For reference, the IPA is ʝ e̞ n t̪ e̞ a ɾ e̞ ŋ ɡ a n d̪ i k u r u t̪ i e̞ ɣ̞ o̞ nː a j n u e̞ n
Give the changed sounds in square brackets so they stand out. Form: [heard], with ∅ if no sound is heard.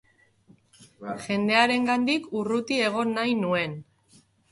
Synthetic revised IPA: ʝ e̞ n [d̪] e̞ a ɾ e̞ ŋ ɡ a n d̪ i k u r u t̪ i e̞ ɣ̞ o̞ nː a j n u e̞ n